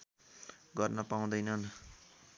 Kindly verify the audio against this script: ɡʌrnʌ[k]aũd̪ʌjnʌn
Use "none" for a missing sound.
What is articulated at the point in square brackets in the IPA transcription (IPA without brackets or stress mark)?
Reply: p